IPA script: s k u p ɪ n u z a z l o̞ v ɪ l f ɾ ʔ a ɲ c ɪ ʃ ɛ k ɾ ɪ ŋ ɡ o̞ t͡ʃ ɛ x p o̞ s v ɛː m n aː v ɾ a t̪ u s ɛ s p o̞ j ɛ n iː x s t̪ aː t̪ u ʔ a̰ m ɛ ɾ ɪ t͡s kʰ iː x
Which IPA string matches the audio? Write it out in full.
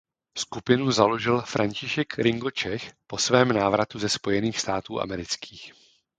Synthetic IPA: s k u p ɪ n u z a l o̞ ʒ ɪ l f ɾ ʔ a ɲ c ɪ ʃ ɛ k ɾ ɪ ŋ ɡ o̞ t͡ʃ ɛ x p o̞ s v ɛː m n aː v ɾ a t̪ u z ɛ s p o̞ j ɛ n iː x s t̪ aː t̪ uː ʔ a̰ m ɛ ɾ ɪ t͡s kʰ iː x